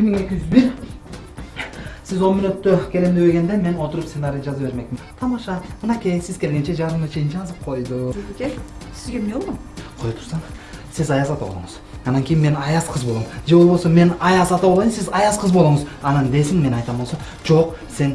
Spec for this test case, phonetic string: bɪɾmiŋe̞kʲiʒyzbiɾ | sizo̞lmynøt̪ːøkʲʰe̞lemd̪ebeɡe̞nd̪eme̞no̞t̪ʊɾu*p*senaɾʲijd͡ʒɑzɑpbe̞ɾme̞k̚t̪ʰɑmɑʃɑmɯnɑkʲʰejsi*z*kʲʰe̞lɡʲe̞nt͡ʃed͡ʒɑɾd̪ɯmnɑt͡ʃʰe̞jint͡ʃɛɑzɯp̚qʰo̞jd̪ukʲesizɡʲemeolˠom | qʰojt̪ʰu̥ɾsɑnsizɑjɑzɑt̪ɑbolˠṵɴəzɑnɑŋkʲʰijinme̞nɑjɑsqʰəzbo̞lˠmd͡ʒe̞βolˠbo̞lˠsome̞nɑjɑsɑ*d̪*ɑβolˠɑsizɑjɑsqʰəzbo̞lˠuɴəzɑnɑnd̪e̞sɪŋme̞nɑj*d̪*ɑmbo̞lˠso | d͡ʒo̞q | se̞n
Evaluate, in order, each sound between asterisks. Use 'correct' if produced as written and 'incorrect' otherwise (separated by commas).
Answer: correct, correct, incorrect, incorrect